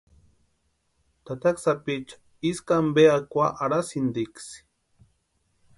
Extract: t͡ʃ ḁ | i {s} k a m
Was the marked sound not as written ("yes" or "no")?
no